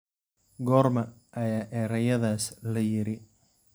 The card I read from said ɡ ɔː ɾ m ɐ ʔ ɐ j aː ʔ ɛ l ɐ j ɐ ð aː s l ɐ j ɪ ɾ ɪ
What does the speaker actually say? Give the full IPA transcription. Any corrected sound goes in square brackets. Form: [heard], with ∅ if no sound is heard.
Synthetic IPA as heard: ɡ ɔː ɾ m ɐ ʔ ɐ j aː ʔ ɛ [ɾ] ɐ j ɐ ð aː s l ɐ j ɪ ɾ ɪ